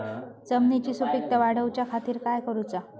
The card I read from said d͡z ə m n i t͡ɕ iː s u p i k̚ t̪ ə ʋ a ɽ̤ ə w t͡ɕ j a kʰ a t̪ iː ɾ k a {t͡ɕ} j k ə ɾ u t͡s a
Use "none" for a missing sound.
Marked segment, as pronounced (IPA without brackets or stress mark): none